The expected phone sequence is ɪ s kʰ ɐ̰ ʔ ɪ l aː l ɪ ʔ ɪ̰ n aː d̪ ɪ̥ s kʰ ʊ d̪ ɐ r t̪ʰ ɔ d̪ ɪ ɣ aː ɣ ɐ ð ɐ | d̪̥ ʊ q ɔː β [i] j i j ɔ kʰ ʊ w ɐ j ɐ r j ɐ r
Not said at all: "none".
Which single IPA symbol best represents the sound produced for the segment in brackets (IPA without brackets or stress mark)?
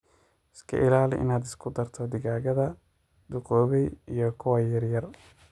ɛ